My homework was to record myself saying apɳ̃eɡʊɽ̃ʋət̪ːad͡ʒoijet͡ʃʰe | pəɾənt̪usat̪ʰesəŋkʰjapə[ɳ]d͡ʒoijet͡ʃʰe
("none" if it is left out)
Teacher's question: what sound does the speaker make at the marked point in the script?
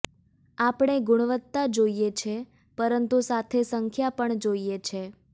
ɳ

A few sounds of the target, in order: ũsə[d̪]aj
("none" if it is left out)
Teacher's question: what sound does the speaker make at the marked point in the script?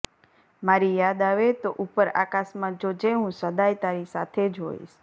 d̪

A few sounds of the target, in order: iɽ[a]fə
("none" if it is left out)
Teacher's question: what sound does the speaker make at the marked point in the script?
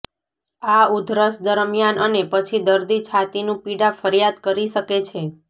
a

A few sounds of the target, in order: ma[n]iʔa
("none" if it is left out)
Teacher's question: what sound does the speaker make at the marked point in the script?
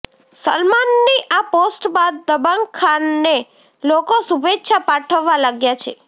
nː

